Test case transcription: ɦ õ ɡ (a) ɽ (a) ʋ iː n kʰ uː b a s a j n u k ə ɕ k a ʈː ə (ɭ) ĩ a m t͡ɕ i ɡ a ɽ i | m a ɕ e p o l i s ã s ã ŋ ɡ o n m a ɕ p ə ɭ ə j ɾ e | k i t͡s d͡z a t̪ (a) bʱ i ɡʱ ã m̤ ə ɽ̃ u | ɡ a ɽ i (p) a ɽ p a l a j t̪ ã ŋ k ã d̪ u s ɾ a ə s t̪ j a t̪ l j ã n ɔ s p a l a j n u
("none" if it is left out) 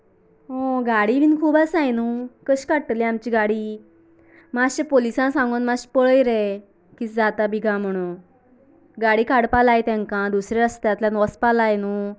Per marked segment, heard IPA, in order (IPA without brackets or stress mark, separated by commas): a, i, l, a, k